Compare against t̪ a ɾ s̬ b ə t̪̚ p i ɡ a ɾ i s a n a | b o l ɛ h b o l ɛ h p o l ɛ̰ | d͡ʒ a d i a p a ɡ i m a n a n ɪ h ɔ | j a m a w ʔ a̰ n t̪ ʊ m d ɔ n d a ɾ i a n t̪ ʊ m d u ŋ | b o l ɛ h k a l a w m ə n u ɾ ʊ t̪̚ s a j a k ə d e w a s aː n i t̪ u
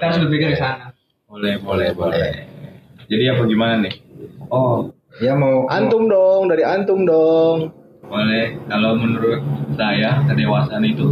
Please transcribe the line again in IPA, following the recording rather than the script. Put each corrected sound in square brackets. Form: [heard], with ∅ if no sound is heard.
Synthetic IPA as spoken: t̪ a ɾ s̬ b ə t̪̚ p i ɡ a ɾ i s a n a | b o l ɛ h b o l ɛ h [b] o l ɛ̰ | d͡ʒ a d i a p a ɡ i m a n a n ɪ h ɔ | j a m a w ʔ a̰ n t̪ ʊ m d ɔ [ŋ] d a ɾ i a n t̪ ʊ m d [ɔ] ŋ | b o l ɛ h k a l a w m ə n u ɾ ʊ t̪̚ s a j a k ə d e w a s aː n i t̪ u